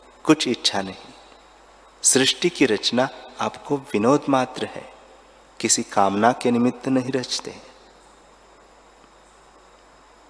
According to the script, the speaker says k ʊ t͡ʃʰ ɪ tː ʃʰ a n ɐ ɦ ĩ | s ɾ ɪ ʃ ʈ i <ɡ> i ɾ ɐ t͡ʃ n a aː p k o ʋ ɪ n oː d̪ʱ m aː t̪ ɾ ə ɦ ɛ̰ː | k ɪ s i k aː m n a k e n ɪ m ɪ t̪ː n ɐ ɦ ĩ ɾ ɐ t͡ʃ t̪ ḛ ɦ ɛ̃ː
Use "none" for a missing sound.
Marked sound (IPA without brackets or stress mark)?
k